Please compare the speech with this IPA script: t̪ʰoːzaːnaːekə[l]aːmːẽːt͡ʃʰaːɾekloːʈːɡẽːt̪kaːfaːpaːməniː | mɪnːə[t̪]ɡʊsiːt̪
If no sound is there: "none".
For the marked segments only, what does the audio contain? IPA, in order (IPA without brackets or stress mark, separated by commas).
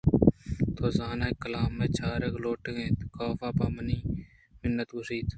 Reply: l, t̪